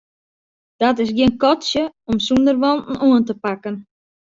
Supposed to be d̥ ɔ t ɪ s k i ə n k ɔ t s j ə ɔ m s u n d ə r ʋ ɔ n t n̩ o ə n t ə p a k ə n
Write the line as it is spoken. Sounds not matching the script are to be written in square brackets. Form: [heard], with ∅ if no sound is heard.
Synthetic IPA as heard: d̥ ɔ t ɪ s [ɡ] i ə n k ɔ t s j ə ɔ m s u n d ə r ʋ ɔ n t n̩ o ə n t ə p a k ə n